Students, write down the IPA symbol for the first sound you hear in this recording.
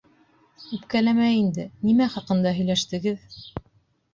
ʉ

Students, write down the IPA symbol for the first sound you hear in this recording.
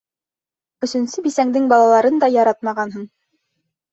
ɵ̆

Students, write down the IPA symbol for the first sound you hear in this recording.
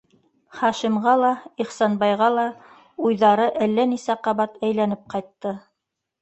χ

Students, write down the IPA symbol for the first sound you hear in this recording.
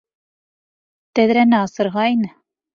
t̪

